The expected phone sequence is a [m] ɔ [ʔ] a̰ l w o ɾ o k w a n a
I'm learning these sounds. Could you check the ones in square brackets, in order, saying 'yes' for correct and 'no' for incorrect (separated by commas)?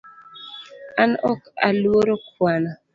no, no